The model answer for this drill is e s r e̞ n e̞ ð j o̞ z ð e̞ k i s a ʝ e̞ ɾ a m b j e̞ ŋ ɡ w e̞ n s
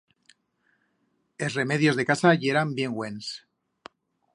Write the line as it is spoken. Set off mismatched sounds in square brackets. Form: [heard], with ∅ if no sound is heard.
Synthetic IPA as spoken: e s r e̞ [m] e̞ ð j o̞ z ð e̞ k [a] s a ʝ e̞ ɾ a m b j e̞ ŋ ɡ w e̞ n s